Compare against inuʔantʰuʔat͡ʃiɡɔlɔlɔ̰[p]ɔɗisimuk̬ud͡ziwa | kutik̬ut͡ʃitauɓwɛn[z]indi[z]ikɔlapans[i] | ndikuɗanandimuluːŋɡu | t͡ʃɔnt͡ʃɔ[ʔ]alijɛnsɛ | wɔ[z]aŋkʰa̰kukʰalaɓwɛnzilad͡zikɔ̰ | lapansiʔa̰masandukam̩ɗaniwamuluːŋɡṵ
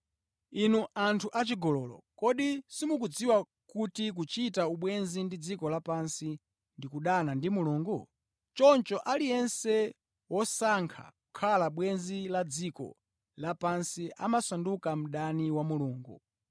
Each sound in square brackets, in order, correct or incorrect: incorrect: k, correct, incorrect: d͡z, correct, correct, incorrect: s

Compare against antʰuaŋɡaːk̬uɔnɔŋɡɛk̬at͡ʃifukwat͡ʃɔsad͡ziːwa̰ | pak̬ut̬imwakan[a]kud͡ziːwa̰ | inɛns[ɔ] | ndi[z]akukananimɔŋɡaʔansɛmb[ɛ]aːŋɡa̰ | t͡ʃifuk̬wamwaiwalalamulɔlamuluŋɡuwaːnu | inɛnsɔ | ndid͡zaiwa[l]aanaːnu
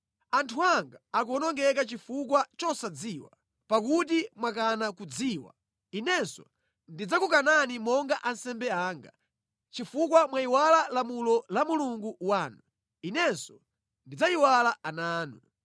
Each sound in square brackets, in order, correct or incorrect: correct, correct, incorrect: d͡z, correct, correct

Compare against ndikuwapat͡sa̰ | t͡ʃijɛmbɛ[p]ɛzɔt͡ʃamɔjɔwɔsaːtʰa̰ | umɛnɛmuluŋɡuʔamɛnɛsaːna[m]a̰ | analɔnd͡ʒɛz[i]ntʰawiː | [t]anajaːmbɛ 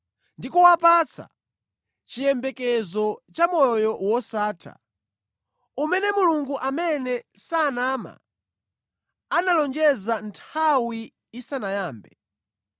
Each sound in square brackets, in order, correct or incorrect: incorrect: k, correct, incorrect: a, incorrect: s

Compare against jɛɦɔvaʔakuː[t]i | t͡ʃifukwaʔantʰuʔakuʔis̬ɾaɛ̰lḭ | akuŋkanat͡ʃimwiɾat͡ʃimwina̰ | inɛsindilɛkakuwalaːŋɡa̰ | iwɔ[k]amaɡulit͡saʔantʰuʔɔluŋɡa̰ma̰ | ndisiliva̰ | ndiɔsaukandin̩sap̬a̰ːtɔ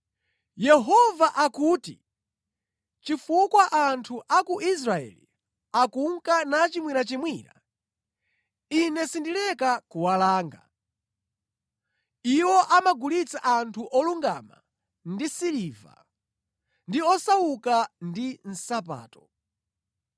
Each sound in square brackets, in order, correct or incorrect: correct, incorrect: ʔ

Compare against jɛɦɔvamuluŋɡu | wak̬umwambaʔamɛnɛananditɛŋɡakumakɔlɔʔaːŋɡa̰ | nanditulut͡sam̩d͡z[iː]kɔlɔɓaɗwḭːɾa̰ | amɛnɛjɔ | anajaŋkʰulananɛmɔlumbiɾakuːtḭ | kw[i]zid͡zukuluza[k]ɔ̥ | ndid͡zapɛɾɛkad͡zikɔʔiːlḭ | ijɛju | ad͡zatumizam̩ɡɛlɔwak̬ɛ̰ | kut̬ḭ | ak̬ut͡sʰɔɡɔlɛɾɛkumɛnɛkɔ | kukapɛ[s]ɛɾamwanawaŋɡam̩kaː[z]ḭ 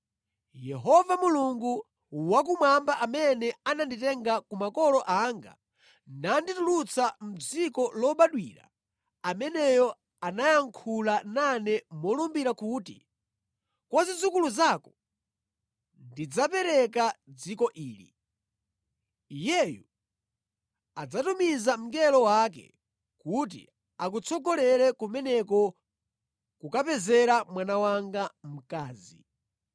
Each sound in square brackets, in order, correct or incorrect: incorrect: i, incorrect: a, correct, incorrect: z, correct

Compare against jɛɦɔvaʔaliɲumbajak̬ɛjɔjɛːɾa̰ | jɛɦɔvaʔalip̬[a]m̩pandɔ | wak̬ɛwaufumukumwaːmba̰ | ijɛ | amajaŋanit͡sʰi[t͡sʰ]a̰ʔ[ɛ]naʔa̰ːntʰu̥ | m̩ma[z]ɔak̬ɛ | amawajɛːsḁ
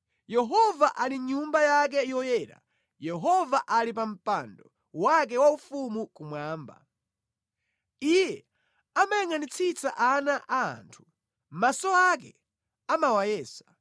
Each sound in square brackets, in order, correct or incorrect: correct, incorrect: t͡s, incorrect: a, incorrect: s

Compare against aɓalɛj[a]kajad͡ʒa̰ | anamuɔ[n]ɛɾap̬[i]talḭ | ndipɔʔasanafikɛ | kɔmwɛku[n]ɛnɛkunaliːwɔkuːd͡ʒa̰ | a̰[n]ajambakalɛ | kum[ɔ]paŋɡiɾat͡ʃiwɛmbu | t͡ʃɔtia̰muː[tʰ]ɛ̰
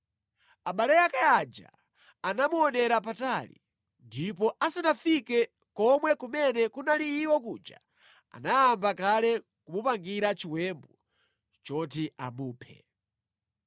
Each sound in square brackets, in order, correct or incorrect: correct, correct, incorrect: a, incorrect: m, correct, incorrect: u, incorrect: pʰ

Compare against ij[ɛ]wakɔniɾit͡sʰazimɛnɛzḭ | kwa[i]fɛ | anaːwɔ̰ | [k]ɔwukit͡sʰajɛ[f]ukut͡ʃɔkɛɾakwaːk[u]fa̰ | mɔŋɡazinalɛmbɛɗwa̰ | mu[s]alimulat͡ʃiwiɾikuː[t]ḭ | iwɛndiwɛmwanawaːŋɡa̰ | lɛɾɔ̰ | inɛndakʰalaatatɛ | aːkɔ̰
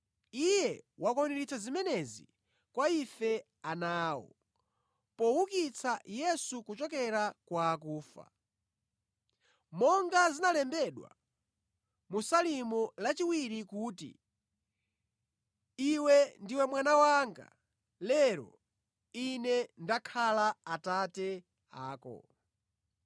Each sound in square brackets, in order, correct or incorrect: correct, correct, incorrect: p, incorrect: s, incorrect: uː, correct, correct

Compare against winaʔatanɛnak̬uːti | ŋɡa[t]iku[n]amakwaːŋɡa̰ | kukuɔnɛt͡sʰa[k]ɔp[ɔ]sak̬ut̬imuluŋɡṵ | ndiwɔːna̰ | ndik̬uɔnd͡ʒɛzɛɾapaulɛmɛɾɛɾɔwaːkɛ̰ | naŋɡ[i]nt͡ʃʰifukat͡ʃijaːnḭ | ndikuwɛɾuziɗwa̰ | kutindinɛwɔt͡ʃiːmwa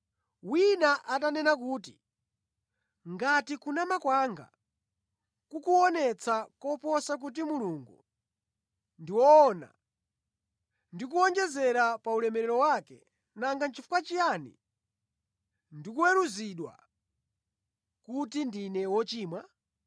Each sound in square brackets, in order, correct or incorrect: correct, correct, correct, correct, incorrect: a

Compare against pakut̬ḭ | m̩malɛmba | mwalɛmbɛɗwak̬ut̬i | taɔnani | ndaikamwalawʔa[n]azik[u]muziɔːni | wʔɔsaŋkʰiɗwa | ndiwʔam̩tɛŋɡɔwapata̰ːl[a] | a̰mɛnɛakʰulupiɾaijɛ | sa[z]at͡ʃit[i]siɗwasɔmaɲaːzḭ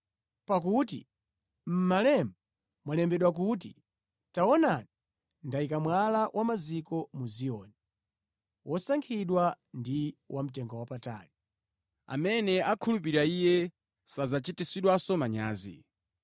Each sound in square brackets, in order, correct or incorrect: incorrect: m, incorrect: ɔ, incorrect: i, correct, correct

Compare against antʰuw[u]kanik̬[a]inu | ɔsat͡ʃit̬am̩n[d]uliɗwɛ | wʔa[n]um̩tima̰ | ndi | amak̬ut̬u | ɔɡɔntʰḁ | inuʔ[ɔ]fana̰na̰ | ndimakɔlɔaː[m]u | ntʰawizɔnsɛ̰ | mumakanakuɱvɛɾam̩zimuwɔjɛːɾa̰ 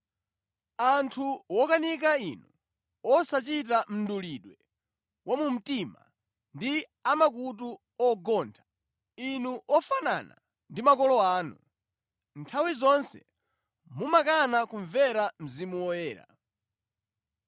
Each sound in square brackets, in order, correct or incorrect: incorrect: ɔ, correct, correct, incorrect: m, correct, incorrect: n

